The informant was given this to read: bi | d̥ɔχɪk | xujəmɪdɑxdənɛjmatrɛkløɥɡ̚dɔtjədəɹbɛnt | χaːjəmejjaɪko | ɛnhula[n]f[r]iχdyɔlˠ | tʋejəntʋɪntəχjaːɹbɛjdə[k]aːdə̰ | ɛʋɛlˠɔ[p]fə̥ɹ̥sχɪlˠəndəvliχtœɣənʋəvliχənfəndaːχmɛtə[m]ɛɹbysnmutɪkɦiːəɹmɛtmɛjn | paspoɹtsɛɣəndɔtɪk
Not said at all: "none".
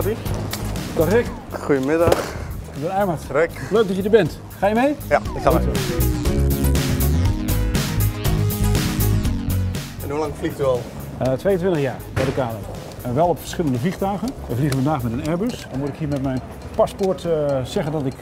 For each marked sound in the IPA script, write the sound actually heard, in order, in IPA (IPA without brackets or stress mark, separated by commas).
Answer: ŋ, l, k, p, n